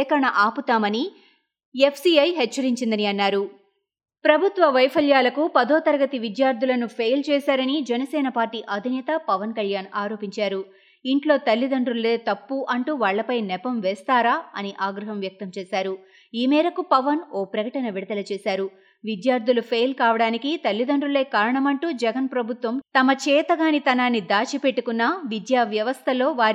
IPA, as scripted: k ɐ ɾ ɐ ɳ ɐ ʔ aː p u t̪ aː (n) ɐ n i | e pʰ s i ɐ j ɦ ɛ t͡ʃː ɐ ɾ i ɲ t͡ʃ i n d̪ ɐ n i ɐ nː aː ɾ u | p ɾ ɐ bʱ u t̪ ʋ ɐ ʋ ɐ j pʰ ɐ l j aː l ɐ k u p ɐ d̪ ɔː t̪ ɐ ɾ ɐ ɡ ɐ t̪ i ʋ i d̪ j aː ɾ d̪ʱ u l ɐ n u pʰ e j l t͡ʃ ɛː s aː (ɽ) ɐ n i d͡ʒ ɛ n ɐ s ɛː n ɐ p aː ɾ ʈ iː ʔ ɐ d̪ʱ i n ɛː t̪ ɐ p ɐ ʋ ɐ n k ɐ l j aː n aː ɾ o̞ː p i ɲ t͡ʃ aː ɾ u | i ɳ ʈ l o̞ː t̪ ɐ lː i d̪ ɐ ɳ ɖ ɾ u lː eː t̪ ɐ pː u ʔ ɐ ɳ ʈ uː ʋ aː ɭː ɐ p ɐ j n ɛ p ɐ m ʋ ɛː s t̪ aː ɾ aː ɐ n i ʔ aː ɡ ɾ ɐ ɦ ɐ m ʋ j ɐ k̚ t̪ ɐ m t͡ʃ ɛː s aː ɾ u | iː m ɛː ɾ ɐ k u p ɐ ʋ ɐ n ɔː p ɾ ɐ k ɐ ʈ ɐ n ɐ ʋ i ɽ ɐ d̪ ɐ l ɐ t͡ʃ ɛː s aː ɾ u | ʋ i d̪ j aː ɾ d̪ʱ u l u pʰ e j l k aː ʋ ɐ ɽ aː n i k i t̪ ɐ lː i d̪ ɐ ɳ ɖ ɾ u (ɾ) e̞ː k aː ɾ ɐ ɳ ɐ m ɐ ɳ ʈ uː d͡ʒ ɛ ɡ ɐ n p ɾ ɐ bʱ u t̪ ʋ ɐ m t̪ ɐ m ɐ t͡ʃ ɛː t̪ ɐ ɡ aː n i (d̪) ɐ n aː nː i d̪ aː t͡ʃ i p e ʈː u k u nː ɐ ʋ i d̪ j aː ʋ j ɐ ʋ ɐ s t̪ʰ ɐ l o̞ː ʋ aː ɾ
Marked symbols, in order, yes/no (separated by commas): no, no, no, no